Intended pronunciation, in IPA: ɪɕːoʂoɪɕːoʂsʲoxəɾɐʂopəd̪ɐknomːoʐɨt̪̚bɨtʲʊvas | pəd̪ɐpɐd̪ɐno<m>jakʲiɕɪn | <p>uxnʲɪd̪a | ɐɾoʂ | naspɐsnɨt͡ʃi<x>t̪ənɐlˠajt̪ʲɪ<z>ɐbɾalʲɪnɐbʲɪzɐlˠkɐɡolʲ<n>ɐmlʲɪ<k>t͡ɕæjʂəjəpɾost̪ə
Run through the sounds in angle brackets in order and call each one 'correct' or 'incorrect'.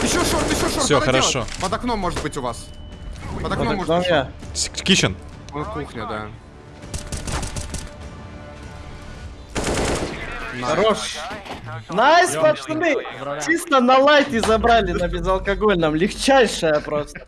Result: correct, incorrect, incorrect, correct, correct, incorrect

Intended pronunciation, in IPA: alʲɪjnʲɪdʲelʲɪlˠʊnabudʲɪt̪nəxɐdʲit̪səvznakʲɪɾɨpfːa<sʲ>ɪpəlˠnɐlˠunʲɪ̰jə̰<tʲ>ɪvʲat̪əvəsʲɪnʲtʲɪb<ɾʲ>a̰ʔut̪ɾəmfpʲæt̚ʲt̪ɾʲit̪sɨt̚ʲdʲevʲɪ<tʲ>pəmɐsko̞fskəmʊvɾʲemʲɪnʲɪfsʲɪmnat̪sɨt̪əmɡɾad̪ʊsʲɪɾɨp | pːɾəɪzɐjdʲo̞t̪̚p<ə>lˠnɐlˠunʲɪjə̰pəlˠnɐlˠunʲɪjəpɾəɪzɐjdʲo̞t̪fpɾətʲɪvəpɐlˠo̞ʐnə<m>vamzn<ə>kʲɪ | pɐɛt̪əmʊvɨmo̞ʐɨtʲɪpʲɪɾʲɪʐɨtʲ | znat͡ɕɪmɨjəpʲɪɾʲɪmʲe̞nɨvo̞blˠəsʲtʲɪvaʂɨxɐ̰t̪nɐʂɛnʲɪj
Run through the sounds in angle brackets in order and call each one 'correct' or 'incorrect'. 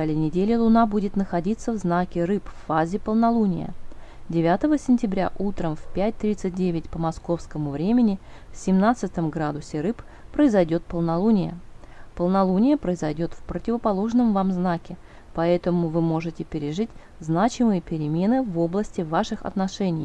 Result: incorrect, incorrect, correct, correct, correct, correct, incorrect

